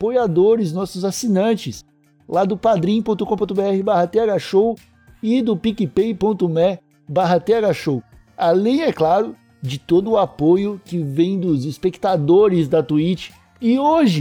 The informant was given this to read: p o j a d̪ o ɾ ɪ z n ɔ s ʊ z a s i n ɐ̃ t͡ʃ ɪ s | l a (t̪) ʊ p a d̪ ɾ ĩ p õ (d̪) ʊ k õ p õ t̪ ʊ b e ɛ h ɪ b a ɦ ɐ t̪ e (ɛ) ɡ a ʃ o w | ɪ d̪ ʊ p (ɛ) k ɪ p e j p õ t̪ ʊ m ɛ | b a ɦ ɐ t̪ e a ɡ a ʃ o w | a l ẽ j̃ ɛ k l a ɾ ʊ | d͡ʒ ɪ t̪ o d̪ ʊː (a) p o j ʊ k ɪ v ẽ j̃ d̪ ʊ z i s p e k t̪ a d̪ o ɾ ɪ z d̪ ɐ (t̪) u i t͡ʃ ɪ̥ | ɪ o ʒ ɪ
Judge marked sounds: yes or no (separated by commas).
no, no, no, no, yes, yes